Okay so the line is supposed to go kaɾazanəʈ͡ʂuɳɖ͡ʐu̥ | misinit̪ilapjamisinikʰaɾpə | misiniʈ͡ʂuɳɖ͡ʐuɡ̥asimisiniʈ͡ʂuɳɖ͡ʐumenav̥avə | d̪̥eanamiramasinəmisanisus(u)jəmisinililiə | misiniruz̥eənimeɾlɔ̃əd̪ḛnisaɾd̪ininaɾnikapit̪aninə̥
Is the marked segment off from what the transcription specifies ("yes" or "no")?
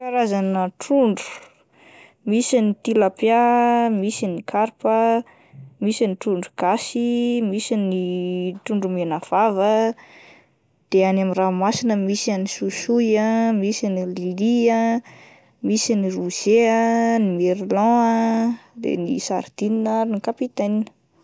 no